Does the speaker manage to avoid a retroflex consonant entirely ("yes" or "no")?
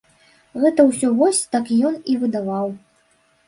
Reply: yes